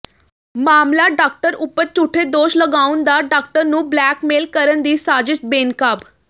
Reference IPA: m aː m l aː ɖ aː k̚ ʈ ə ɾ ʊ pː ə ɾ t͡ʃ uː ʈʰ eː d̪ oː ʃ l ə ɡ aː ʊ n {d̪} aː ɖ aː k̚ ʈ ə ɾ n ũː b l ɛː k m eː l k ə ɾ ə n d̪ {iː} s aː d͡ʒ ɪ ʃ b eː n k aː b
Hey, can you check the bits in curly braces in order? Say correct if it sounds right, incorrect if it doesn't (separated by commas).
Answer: correct, correct